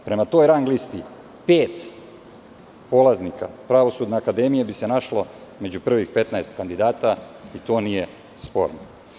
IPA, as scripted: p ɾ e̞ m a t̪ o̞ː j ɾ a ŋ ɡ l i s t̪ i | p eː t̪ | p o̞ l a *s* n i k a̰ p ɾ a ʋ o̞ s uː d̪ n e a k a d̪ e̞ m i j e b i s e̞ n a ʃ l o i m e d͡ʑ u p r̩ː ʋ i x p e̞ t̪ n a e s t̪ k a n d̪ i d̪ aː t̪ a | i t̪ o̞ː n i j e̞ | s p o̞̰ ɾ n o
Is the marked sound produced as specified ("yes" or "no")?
no